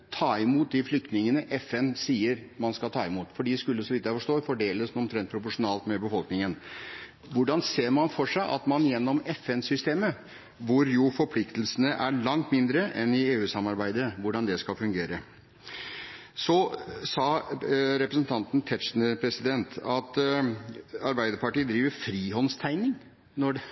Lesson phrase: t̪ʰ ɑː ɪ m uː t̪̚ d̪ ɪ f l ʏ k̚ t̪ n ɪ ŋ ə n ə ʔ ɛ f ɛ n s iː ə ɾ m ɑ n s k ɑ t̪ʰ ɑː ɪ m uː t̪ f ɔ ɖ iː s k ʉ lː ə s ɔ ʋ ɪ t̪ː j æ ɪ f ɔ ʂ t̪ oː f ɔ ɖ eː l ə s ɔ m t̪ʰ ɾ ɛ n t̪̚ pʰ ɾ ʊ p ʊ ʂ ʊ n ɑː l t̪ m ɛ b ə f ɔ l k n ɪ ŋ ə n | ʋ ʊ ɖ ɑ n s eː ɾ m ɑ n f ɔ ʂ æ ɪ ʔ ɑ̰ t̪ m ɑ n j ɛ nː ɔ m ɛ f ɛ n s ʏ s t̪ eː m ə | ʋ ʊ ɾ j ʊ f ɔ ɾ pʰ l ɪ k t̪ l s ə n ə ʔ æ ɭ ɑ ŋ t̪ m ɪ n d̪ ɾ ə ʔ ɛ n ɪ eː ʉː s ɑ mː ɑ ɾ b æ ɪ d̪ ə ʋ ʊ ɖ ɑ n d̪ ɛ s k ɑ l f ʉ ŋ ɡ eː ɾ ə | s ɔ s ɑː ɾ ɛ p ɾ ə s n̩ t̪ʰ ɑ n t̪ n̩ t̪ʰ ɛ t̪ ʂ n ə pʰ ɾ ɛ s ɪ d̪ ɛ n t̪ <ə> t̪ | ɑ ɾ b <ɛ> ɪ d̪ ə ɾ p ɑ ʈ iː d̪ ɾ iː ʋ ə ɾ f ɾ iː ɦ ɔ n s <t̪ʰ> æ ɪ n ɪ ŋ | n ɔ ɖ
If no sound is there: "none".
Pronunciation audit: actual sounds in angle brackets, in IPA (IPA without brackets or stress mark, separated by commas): ɑ, æ, t̪ʰ